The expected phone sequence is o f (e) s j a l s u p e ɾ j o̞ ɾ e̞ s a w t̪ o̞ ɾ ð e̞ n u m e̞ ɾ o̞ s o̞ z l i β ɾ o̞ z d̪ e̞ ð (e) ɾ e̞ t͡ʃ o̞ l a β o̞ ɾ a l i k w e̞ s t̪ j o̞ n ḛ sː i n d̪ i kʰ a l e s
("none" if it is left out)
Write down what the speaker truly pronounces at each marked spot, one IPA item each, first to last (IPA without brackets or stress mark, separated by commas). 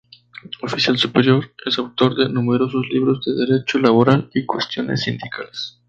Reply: i, e